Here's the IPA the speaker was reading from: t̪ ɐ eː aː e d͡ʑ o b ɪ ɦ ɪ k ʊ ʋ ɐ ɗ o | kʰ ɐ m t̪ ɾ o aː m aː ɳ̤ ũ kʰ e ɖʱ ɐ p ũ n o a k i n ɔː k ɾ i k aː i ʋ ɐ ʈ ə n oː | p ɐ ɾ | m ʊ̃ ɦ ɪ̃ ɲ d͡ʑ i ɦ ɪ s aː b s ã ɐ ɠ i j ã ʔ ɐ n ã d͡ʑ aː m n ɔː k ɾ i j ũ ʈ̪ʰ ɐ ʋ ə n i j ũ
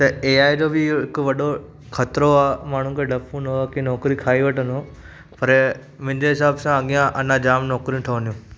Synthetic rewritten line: t̪ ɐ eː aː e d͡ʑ o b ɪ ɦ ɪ k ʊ ʋ ɐ ɗ o | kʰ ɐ t̪ ɾ o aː m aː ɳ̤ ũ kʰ e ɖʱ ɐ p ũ n o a k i n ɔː k ɾ i kʰ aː i ʋ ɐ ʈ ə n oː | p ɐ ɾ | m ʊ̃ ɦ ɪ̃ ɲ d͡ʑ e ɦ ɪ s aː b s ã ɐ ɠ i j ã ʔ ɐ n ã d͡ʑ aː m n ɔː k ɾ i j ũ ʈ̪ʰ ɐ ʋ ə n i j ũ